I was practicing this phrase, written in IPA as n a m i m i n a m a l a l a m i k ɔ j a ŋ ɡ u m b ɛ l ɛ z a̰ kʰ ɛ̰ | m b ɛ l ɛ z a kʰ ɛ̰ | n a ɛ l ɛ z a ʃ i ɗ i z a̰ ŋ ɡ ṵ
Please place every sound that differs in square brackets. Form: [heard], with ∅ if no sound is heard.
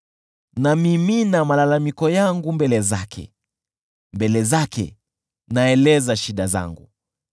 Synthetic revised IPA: n a m i m i n a m a l a l a m i k ɔ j a ŋ ɡ u m b ɛ l ɛ z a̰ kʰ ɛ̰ | m b ɛ l ɛ z a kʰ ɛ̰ | n a ɛ l ɛ z a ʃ i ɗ [a] z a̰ ŋ ɡ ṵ